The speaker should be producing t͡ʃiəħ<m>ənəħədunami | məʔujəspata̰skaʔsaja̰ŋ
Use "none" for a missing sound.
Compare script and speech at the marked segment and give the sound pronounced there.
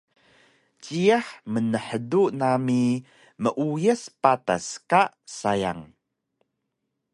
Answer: m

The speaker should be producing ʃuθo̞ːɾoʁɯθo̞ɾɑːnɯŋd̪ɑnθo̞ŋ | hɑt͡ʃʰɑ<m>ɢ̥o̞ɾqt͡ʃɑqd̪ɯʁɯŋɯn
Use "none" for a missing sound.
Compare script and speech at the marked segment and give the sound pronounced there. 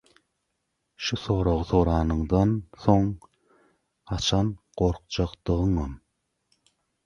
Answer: n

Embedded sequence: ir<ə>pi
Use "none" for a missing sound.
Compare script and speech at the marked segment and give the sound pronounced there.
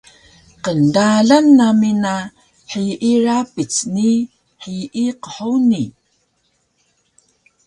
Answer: a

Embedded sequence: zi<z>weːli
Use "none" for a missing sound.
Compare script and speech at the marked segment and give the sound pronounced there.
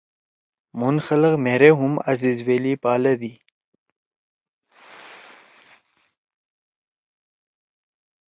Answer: z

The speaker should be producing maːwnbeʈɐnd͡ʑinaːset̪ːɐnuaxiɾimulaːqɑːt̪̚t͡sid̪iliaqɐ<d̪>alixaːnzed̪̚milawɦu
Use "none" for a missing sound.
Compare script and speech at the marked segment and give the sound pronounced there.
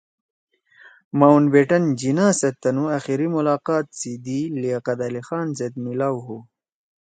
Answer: d̪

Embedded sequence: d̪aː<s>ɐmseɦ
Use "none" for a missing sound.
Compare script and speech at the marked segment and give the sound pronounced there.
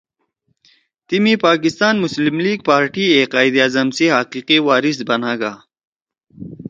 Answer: z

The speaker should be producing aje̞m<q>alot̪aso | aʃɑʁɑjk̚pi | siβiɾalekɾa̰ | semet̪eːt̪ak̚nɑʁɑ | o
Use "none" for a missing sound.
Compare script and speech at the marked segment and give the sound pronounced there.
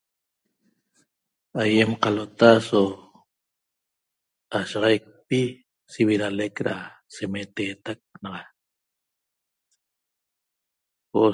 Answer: q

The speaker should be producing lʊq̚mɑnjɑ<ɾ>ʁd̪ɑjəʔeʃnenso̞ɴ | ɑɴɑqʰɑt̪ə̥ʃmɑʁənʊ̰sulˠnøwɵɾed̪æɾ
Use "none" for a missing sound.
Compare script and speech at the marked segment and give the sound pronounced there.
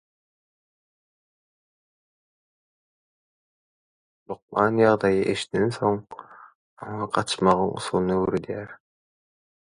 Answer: none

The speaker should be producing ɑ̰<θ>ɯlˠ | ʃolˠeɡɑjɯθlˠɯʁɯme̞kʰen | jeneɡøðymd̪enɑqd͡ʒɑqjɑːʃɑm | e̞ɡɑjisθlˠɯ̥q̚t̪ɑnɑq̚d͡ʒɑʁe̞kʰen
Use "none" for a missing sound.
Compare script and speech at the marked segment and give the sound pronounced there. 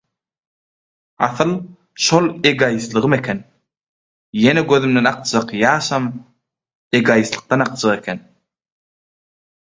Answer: θ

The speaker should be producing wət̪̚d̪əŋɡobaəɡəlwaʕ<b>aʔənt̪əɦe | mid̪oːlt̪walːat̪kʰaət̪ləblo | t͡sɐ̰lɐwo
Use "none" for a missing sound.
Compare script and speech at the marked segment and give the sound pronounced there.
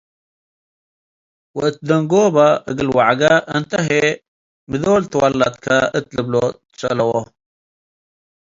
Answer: ɡ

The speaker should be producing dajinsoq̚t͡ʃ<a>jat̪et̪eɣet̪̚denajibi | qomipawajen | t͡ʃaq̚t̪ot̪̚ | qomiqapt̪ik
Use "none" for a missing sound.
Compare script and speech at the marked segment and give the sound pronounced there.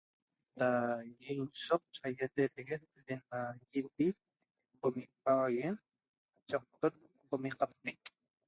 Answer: a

